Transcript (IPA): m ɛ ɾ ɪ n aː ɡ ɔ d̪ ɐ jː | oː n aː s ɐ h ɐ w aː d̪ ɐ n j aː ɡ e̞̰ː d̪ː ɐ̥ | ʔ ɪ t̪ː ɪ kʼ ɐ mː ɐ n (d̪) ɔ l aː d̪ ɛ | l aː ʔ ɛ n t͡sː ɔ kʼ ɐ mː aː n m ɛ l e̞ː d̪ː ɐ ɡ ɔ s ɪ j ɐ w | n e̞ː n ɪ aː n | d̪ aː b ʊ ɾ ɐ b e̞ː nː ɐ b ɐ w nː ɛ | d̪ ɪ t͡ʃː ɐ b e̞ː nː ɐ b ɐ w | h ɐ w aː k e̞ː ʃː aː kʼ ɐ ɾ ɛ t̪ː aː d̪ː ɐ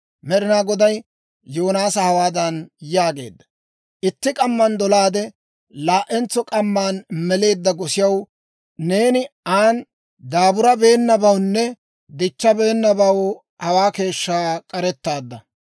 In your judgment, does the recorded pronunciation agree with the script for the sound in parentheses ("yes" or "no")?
yes